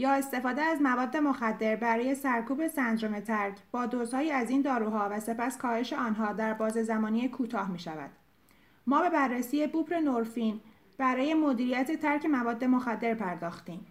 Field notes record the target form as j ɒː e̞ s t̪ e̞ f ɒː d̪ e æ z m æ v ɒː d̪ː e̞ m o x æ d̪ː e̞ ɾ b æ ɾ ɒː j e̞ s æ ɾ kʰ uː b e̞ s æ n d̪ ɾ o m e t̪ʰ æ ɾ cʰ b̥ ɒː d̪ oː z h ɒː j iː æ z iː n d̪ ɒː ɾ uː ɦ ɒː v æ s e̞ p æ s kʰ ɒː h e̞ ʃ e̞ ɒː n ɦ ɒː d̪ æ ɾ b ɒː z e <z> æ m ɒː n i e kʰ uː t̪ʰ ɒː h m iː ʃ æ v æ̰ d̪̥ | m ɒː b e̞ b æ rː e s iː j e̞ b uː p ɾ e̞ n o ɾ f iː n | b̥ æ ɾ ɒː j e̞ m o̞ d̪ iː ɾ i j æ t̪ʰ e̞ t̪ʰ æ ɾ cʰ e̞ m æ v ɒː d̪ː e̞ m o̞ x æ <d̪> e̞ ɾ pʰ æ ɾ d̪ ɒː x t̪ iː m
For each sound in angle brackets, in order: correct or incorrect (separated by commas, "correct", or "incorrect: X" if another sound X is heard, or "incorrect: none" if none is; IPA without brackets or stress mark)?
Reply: correct, incorrect: d̪ː